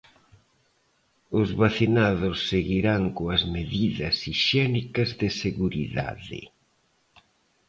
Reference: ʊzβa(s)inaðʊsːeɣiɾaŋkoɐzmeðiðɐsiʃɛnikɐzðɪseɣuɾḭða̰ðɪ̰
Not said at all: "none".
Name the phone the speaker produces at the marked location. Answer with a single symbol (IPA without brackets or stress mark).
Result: θ